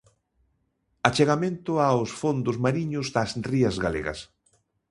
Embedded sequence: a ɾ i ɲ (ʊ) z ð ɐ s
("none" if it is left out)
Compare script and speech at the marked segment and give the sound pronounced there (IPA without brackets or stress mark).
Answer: ʊ